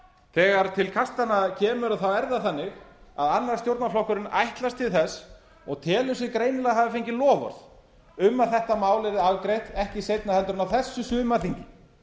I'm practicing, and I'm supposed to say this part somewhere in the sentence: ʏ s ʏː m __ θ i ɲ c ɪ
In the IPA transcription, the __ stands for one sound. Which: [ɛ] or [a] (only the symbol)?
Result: a